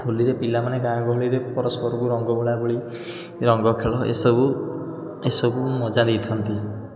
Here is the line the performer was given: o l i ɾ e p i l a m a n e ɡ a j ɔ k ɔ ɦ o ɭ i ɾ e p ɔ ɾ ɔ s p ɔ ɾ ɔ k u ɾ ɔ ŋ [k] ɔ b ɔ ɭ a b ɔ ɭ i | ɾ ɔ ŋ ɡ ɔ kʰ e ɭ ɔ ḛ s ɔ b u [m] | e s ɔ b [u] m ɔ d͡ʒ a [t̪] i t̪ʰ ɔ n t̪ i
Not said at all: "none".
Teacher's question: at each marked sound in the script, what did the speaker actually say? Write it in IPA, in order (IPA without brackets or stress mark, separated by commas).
ɡ, none, u, d̪